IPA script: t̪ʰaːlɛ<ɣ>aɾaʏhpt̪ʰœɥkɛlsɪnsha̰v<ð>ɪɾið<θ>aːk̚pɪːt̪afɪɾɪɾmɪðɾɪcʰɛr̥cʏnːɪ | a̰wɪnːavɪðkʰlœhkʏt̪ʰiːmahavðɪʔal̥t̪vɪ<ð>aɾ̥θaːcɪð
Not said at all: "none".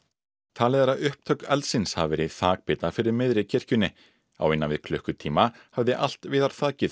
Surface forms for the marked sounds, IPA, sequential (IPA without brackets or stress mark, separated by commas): ð, v, θ, ð